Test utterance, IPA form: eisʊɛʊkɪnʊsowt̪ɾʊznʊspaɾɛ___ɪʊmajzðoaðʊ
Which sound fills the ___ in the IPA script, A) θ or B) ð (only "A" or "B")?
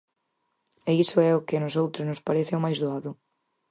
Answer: A